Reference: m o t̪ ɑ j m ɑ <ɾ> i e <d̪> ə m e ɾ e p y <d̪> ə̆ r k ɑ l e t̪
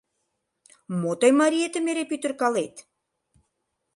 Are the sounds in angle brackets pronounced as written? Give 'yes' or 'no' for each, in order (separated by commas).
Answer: yes, no, no